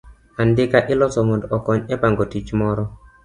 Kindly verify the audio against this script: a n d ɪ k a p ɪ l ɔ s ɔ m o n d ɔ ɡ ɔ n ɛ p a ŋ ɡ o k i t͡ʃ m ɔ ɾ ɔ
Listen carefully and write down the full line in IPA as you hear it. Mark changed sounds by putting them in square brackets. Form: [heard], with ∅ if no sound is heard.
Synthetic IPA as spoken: a n d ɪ k a [ʔ] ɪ l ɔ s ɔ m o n d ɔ [k] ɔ [ɲ] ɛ p a ŋ ɡ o [t] i t͡ʃ m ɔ ɾ ɔ